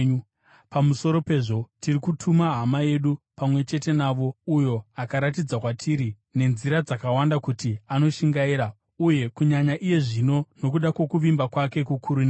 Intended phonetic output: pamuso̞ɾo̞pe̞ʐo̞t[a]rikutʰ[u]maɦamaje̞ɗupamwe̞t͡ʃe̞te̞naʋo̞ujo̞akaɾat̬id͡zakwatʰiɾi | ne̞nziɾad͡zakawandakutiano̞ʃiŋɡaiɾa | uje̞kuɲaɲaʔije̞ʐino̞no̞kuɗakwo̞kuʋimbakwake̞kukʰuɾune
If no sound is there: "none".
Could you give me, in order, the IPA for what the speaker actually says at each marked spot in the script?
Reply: i, u

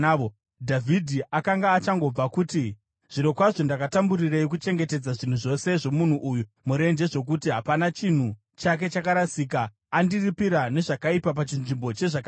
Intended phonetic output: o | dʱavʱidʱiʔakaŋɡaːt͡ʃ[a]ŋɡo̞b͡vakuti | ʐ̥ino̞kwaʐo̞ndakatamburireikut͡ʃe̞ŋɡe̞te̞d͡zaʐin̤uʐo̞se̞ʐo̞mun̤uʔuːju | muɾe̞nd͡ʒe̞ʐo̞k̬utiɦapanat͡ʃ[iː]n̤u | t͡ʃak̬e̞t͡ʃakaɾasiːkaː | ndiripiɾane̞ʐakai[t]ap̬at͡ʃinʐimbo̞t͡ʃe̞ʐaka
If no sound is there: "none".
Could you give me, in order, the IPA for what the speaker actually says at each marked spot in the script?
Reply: a, i, p

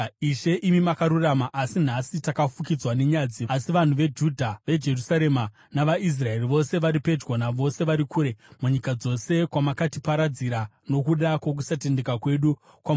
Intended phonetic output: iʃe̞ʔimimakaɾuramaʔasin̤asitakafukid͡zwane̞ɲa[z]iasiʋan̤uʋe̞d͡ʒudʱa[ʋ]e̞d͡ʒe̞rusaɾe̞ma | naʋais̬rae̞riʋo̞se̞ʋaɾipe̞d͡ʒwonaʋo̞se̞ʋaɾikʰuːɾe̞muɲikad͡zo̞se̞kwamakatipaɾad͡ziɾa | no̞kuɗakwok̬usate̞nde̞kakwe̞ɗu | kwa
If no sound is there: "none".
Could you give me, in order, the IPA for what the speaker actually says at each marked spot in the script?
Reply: d͡z, ʋ

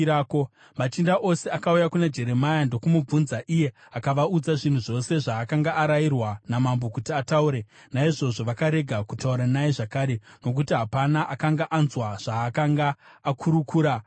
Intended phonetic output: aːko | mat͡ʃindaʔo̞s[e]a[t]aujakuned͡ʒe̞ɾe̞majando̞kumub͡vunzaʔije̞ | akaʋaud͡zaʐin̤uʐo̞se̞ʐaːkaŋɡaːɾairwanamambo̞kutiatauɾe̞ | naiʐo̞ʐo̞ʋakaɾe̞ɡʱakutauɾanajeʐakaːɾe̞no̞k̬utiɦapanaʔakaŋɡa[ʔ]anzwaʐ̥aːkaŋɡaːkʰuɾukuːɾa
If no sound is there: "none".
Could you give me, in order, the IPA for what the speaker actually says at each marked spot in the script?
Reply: e, k, ʔ

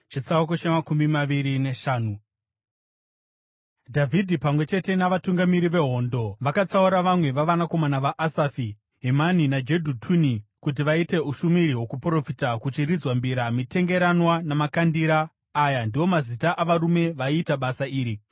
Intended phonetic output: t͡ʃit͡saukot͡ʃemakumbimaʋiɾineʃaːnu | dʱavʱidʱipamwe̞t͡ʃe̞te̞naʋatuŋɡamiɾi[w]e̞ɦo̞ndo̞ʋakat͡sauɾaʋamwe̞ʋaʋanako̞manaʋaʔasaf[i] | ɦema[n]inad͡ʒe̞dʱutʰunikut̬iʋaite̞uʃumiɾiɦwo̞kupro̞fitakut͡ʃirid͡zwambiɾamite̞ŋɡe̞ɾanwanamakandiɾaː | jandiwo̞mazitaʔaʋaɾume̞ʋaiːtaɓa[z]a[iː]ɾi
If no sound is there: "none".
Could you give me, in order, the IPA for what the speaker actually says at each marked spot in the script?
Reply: ʋ, i, n, s, iː

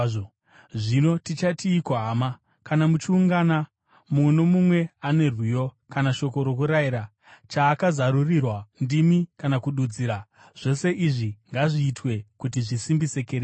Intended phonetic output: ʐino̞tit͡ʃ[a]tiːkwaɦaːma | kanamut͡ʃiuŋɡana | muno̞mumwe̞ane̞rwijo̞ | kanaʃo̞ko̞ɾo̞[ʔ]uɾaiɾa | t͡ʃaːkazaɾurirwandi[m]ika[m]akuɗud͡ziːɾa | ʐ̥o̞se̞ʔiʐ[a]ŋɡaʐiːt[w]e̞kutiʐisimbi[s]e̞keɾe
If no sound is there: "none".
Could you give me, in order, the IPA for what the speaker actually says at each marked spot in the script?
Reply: a, k, m, n, i, w, s

